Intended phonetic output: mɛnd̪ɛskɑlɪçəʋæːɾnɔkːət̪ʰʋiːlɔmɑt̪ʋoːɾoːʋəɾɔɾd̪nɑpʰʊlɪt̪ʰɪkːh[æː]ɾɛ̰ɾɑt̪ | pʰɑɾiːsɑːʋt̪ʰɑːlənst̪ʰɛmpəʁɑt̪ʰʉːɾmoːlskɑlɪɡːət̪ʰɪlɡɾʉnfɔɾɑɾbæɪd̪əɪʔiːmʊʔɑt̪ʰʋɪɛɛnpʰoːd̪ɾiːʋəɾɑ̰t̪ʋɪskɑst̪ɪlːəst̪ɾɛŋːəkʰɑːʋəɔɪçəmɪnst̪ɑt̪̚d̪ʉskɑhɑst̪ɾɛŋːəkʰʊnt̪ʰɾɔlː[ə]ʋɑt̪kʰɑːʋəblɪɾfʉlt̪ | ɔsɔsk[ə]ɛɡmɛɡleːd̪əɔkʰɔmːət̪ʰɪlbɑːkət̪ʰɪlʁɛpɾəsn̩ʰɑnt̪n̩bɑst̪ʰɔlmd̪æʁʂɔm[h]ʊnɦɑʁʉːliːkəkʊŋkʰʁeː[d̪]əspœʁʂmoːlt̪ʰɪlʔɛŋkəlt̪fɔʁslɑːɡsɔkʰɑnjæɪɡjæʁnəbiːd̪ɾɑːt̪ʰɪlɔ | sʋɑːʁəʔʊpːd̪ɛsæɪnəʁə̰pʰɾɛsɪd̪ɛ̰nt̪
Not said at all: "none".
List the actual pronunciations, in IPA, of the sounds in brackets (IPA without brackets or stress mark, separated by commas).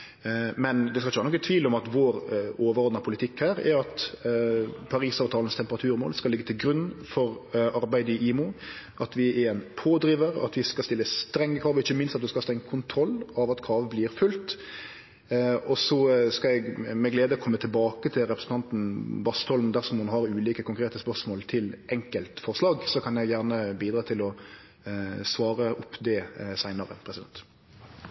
æː, ɑ, ɑ, h, t̪